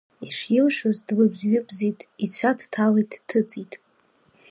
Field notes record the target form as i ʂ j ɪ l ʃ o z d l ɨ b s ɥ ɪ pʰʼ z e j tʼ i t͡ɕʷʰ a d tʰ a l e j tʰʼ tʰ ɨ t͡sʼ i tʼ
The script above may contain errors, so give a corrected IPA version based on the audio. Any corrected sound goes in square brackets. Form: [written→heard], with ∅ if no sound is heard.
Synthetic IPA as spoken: i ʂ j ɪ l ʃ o z d l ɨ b [s→z] ɥ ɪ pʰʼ z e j tʼ i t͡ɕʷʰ a d tʰ a l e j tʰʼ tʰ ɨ t͡sʼ i tʼ